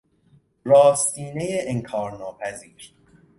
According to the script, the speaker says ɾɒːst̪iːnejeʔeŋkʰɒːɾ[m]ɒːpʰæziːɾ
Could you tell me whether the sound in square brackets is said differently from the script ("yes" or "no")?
yes